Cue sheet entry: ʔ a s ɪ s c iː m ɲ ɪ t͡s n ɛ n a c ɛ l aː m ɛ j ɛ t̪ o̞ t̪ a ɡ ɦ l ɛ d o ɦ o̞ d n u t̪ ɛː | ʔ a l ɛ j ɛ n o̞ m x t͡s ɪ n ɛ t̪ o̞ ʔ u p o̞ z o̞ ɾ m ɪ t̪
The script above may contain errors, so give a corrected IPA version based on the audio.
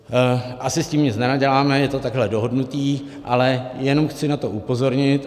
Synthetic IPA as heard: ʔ a s ɪ s c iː m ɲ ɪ t͡s n ɛ n a ɟ ɛ l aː m ɛ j ɛ t̪ o̞ t̪ a ɡ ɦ l ɛ d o ɦ o̞ d n u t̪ iː | ʔ a l ɛ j ɛ n o̞ m x t͡s ɪ n a t̪ o̞ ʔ u p o̞ z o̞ ɾ ɲ ɪ t̪

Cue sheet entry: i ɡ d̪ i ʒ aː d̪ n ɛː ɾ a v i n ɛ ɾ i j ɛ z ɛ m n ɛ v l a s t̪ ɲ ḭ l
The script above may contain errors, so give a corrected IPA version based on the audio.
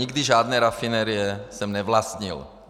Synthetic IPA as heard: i ɡ d̪ i ʒ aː d̪ n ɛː ɾ a f i n ɛ ɾ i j ɛ s ɛ m n ɛ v l a s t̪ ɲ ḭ l

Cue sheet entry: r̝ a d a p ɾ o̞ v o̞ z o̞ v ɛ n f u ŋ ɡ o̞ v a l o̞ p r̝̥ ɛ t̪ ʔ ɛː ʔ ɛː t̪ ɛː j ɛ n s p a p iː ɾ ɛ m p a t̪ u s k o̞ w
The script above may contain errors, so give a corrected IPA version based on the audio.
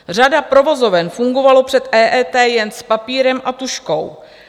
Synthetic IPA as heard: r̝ a d a p ɾ o̞ v o̞ z o̞ v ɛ n f u ŋ ɡ o̞ v a l o̞ p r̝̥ ɛ t̪ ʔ ɛː ʔ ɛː t̪ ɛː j ɛ n s p a p iː ɾ ɛ m ʔ a t̪ u ʃ k o̞ w

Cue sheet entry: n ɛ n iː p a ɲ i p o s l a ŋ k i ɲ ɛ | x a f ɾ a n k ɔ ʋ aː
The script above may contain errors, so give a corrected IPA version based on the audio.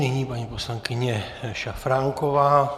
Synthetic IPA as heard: ɲ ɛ ɲ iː p a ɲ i p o s l a ŋ k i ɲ ɛ | ʃ a f ɾ a ŋ k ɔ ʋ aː

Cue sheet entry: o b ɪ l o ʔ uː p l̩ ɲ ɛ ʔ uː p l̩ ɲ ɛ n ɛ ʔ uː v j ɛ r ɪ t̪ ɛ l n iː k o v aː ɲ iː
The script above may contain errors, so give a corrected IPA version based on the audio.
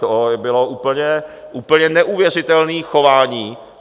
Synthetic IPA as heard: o b ɪ l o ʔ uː p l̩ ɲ ɛ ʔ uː p l̩ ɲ ɛ n ɛ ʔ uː v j ɛ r ɪ t̪ ɛ l n iː x o v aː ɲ iː

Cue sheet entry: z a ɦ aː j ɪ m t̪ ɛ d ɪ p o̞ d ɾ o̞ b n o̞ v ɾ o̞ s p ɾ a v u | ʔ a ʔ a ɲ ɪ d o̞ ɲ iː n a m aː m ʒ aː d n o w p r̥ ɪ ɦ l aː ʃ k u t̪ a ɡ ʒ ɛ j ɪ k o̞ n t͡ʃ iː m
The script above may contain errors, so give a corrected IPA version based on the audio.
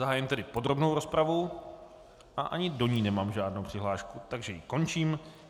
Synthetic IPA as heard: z a ɦ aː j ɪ m t̪ ɛ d ɪ p o̞ d ɾ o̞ b n o̞ w ɾ o̞ s p ɾ a v u | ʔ a ʔ a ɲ ɪ d o̞ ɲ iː n ɛ m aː m ʒ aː d n o w p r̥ ɪ ɦ l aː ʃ k u t̪ a ɡ ʒ ɛ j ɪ k o̞ n t͡ʃ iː m

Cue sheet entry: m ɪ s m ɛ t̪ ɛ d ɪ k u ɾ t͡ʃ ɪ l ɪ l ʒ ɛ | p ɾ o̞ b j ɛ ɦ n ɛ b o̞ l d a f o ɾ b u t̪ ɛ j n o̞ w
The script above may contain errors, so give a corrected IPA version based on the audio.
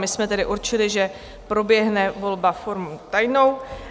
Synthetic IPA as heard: m ɪ s m ɛ t̪ ɛ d ɪ ʔ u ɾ t͡ʃ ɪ l ɪ ʒ ɛ | p ɾ o̞ b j ɛ ɦ n ɛ v o̞ l b a f o ɾ m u t̪ a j n o̞ w

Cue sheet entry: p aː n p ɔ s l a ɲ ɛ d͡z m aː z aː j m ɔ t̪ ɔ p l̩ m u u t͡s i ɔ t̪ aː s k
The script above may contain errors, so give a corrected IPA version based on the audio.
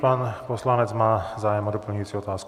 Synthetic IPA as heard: p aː n p ɔ s l a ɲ ɛ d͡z m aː z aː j m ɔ d̪ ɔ p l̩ ɲ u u t͡s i ɔ t̪ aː s k

